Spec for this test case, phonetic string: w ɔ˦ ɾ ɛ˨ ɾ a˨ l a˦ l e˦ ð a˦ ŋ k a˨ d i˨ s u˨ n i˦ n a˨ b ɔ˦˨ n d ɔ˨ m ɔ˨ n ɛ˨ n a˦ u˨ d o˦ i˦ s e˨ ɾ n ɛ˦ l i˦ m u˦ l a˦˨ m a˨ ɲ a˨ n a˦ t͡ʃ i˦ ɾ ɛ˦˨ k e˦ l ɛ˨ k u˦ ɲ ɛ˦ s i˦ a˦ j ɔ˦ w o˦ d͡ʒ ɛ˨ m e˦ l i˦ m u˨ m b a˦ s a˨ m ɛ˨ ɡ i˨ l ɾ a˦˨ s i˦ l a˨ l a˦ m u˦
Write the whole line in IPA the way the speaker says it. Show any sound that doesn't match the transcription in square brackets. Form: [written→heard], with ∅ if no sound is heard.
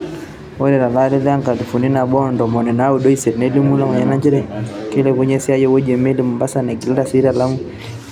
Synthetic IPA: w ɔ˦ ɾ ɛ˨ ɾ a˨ l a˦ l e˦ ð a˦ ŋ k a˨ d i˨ [s→f] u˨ n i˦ n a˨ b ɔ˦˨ n d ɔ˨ m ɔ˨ n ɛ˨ n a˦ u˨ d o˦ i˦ s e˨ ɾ n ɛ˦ l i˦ m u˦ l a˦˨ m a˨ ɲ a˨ n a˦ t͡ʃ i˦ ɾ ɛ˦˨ k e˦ l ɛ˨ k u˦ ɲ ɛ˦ s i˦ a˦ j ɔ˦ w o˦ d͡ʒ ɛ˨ m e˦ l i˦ m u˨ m b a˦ s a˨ [m→n] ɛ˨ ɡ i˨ l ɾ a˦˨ s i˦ [l→ɾ] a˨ l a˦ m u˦